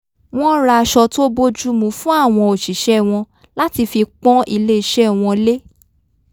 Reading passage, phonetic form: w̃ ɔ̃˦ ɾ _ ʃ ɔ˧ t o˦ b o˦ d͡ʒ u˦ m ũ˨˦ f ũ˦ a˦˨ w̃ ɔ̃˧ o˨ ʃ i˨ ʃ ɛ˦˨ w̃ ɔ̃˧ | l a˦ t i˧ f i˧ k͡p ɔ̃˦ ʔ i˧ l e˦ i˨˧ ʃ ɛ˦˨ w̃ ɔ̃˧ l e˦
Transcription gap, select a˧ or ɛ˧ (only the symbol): a˧